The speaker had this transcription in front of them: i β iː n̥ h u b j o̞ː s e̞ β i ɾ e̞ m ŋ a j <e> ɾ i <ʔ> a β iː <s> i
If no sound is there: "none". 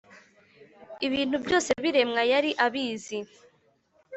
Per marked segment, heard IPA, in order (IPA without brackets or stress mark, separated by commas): a, ʔ, z